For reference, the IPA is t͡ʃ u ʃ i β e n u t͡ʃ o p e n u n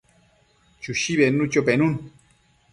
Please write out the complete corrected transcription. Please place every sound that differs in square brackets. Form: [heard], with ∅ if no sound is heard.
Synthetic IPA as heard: t͡ʃ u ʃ i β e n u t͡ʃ o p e n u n